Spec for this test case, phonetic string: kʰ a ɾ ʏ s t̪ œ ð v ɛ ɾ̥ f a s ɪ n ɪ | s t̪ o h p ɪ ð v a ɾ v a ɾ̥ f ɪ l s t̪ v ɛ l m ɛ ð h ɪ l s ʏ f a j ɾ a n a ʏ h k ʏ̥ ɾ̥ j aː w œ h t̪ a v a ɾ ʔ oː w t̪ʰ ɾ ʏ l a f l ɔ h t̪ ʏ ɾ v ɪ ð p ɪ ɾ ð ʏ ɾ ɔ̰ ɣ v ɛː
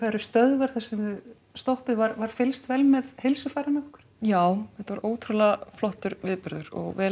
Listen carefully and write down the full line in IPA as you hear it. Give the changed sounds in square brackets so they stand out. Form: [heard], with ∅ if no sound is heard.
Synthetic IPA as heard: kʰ a ɾ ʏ s t̪ œ ð v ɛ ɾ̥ [θ] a s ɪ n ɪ | s t̪ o h p ɪ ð v a ɾ v a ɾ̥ f ɪ l s t̪ v ɛ l m ɛ ð h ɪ l s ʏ f a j ɾ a n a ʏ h k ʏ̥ ɾ̥ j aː w [ɛ] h t̪ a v a ɾ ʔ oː w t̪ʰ ɾ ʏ l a f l ɔ h t̪ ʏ ɾ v ɪ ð p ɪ ɾ ð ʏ ɾ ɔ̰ ɣ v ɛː

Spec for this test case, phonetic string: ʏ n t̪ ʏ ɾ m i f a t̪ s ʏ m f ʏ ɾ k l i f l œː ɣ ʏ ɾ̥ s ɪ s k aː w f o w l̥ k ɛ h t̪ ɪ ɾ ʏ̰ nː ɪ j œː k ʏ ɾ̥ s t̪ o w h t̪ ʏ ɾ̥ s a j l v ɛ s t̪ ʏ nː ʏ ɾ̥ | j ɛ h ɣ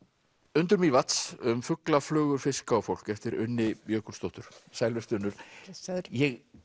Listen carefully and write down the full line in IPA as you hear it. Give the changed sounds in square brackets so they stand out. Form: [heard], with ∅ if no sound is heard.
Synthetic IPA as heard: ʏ n t̪ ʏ ɾ m i [v] a t̪ s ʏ m f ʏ [∅] k l [a] f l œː ɣ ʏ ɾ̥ [f] ɪ s k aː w f o w l̥ k ɛ [f] t̪ ɪ ɾ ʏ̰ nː ɪ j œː k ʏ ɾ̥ s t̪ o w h t̪ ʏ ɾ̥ s a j l v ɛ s t̪ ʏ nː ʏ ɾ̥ | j ɛ [∅] ɣ

